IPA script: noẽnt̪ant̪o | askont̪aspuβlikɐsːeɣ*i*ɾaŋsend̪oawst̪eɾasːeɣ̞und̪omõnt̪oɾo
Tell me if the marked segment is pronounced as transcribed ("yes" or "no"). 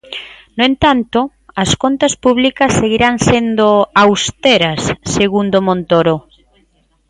yes